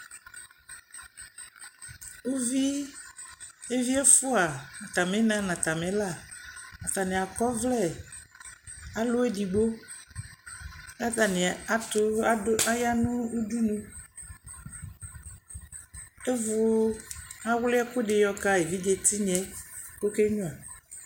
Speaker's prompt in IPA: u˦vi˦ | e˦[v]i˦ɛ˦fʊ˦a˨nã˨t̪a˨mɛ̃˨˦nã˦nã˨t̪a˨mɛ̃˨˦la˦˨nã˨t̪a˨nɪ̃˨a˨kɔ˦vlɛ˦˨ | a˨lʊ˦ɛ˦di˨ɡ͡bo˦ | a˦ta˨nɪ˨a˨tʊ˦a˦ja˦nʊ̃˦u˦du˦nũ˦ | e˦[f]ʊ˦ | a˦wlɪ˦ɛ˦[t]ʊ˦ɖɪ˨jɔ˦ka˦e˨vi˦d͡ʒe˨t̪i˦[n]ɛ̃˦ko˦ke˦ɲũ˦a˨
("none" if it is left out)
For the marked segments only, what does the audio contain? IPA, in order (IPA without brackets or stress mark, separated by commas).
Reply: v, v, k, ɲ